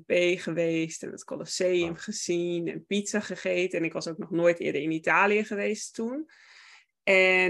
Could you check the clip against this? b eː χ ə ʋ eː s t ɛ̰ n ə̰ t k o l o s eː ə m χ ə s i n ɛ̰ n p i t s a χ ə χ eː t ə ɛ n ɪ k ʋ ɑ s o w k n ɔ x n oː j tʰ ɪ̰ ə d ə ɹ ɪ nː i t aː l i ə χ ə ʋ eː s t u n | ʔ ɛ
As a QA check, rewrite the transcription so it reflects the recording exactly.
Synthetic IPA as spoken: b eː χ ə ʋ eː s t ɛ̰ n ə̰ t k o l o s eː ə m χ ə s i n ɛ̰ n p i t s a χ ə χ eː t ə ɛ n ɪ k ʋ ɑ s o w k n ɔ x n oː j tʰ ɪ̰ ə d ə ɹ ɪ n i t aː l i ə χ ə ʋ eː s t u n | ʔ ɛ